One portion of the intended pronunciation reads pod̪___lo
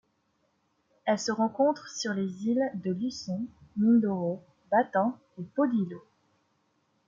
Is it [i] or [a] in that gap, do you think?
i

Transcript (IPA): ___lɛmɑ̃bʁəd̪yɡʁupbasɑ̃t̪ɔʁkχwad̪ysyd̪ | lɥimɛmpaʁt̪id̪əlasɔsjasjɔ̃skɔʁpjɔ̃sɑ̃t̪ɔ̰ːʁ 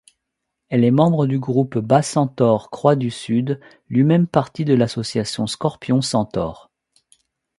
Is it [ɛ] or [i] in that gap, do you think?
ɛ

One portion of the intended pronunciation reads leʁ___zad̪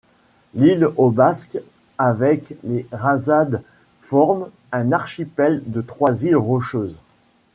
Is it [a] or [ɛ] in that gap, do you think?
a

